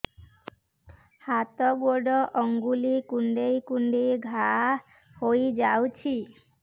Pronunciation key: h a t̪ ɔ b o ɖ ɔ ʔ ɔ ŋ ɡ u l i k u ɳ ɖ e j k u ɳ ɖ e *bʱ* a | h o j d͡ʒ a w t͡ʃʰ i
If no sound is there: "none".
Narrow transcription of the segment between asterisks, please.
ɡʱ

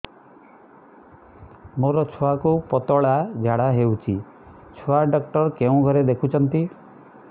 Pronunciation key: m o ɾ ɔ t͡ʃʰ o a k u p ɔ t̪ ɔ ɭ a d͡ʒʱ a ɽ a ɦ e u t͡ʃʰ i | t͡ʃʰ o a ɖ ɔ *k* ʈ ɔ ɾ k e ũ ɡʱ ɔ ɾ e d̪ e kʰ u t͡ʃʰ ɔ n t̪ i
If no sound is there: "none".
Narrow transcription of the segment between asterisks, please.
k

